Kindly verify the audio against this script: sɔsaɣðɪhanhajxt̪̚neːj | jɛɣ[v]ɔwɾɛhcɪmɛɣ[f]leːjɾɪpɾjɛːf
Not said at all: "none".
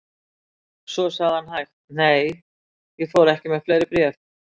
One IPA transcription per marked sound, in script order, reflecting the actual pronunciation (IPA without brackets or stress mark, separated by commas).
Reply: f, f